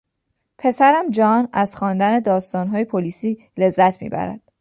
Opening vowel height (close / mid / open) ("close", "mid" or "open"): mid